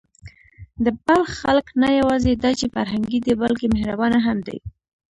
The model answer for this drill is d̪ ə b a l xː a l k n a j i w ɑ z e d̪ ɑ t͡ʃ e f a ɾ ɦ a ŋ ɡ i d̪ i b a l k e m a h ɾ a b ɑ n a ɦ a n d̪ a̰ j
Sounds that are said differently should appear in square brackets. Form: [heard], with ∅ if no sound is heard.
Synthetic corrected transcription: d̪ ə b a l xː a l k n a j [a] w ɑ z e d̪ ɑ t͡ʃ e f a ɾ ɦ a ŋ ɡ i d̪ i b a l k e m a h ɾ a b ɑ n a ɦ a [m] d̪ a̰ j